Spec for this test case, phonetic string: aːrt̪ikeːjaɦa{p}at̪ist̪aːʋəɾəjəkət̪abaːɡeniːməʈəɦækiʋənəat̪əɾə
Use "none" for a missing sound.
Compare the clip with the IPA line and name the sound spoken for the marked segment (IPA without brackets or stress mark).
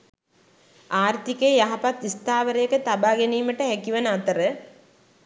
p